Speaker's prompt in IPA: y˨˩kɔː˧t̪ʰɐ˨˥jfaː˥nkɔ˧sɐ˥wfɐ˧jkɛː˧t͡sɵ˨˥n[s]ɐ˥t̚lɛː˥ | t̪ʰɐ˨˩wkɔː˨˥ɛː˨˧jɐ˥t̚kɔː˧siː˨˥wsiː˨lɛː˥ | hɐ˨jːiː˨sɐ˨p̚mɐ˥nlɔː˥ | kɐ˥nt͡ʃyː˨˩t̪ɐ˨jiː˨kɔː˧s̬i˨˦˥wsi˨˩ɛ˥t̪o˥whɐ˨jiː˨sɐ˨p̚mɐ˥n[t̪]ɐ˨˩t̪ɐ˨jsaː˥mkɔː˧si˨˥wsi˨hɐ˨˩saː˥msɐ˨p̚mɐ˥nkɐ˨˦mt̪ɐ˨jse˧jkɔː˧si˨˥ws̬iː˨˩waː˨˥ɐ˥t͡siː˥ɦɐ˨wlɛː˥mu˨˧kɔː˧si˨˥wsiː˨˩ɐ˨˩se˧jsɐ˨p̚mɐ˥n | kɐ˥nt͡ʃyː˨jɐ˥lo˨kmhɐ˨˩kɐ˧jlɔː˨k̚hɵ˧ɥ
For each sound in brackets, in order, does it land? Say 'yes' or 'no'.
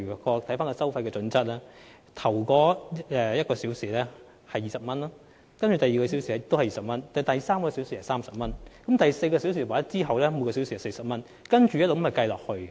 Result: no, yes

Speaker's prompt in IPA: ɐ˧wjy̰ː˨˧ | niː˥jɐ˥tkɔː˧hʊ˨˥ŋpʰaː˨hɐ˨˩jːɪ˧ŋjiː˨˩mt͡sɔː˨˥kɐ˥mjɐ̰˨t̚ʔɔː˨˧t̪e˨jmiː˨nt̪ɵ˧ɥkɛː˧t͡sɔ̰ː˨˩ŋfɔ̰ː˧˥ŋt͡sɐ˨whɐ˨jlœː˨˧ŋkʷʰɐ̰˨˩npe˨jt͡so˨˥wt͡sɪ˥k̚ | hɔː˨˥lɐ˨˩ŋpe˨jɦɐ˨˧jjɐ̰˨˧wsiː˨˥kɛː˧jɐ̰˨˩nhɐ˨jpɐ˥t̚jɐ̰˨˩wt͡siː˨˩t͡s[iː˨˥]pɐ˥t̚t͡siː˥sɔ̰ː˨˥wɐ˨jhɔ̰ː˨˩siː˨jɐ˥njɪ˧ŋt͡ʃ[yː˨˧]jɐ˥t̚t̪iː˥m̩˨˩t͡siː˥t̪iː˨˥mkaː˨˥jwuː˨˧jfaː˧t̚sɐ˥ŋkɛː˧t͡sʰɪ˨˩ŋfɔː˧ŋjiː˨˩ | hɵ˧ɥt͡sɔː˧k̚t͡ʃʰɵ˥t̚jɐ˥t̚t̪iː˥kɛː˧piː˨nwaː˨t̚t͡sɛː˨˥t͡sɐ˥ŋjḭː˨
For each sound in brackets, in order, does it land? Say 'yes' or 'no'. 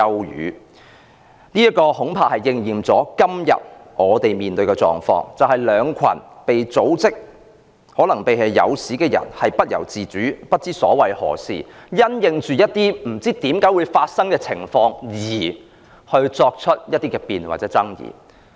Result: no, yes

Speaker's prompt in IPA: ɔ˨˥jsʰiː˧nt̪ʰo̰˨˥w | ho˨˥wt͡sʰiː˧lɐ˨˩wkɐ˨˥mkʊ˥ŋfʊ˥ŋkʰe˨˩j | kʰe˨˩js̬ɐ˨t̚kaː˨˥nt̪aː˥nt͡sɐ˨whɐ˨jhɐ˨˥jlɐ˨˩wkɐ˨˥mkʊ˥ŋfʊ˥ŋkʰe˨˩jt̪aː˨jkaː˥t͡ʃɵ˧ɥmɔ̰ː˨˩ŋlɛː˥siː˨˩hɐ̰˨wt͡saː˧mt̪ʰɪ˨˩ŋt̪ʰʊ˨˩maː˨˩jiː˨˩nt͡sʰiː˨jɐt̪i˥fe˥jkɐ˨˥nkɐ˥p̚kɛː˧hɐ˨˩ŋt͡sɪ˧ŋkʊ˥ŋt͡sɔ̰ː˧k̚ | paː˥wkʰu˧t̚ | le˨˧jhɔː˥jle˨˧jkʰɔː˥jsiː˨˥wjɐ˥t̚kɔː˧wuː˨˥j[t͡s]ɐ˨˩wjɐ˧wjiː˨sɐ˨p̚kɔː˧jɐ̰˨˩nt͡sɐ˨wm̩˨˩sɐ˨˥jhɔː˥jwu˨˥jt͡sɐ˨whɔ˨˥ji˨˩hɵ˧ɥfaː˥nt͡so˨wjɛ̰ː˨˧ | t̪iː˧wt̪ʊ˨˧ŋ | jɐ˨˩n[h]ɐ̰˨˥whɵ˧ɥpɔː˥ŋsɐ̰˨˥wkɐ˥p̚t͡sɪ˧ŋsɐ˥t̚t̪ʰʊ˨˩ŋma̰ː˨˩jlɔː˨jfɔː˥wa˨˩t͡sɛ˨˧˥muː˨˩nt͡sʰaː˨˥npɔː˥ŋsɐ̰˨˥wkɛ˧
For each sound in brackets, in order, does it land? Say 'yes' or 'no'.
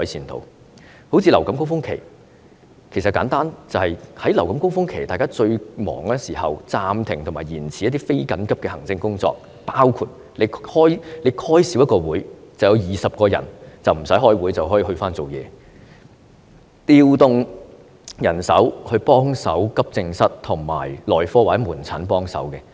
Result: yes, no

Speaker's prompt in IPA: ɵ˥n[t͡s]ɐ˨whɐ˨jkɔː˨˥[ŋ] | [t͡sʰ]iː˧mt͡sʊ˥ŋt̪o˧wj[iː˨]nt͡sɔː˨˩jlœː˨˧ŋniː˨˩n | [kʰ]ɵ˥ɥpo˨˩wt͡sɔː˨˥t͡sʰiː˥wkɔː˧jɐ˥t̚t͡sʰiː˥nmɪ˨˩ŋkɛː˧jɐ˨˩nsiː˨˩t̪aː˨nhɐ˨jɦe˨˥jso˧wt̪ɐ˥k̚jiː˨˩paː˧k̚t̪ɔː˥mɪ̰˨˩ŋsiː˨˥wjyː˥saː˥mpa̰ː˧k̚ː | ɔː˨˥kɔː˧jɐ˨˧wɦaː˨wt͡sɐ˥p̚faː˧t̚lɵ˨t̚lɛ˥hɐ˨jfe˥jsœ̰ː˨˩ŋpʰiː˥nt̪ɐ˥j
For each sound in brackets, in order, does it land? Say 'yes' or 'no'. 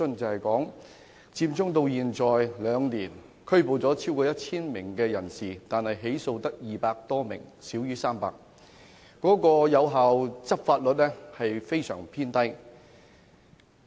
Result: yes, yes, no, yes, yes

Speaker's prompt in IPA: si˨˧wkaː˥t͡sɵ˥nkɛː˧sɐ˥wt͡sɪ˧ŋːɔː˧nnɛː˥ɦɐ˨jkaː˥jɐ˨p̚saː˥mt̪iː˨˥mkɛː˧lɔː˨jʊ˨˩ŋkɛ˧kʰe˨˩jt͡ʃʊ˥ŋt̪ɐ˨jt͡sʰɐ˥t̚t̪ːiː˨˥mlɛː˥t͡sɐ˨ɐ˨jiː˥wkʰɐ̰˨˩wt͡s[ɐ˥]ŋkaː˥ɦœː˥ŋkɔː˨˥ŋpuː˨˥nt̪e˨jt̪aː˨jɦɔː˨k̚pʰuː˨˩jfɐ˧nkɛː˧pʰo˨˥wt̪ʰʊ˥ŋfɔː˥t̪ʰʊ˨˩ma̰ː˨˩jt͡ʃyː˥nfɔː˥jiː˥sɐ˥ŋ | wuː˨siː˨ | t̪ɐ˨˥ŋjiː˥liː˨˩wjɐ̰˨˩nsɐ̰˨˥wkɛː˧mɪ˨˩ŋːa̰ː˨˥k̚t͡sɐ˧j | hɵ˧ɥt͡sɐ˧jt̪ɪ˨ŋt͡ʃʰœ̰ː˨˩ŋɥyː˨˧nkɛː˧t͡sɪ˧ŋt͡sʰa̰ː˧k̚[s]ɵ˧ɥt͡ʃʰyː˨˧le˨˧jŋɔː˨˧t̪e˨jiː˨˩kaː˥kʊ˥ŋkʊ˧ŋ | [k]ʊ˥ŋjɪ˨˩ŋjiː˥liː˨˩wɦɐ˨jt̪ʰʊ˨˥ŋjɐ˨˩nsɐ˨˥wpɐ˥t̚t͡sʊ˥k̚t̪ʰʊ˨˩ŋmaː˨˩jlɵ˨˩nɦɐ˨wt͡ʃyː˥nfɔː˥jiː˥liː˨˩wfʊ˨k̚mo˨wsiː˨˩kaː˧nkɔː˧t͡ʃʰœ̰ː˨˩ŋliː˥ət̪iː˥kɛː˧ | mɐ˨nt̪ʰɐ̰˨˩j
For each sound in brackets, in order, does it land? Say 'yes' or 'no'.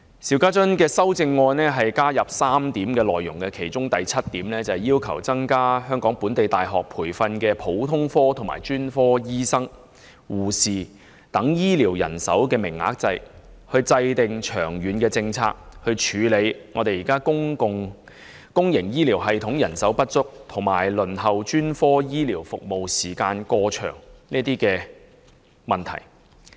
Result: yes, no, yes

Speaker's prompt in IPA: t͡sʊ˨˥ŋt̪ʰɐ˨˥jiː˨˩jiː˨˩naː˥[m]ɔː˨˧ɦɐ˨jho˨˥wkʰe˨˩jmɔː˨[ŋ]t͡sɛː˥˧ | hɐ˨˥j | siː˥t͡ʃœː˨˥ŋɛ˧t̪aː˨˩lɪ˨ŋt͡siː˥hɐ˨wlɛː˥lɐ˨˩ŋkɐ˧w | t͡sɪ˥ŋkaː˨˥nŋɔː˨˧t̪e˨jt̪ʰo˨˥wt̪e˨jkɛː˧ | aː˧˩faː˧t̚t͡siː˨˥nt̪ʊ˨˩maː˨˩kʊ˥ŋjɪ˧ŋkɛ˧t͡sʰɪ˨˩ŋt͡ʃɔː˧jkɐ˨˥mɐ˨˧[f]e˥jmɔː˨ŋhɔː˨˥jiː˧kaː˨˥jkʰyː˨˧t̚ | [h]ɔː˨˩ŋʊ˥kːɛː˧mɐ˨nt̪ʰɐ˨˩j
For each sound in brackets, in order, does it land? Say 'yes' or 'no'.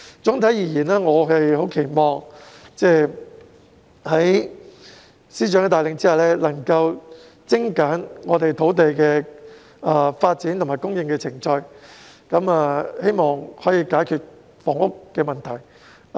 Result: no, yes, no, no

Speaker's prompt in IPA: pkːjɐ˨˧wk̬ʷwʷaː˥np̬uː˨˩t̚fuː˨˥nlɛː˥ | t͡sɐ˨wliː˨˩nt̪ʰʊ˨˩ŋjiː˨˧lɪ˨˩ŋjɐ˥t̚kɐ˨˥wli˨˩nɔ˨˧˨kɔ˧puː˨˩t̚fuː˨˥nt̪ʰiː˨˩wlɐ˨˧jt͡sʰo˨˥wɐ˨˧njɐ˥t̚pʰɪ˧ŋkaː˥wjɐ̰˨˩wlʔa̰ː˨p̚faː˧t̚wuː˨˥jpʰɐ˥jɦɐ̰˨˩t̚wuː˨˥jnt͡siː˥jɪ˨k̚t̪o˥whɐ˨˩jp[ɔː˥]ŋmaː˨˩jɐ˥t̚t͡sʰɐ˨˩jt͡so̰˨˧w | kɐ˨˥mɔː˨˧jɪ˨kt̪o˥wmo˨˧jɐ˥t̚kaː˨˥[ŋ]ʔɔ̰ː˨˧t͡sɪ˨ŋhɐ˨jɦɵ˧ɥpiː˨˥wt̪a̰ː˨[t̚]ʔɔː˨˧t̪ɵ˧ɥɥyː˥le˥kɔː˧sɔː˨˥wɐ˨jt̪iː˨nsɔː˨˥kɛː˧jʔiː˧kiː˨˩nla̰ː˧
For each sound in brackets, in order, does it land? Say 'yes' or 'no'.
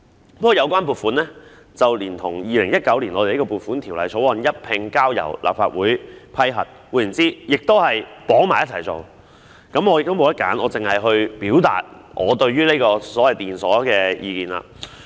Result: no, no, yes

